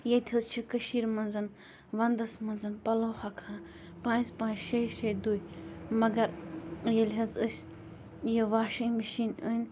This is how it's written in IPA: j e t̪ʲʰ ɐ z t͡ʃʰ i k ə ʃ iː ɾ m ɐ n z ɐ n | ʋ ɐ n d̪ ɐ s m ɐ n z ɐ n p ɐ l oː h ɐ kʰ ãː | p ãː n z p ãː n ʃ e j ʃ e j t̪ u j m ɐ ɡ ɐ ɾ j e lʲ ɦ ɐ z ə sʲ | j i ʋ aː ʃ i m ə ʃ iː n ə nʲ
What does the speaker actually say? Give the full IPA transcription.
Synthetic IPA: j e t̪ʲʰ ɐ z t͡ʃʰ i k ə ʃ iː ɾ m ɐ n z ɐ n | ʋ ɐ n d̪ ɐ s m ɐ n z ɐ n p ɐ l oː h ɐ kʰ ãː | p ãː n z p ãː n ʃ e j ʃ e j d̪ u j m ɐ ɡ ɐ ɾ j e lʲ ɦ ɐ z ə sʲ | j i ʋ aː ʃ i m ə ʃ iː n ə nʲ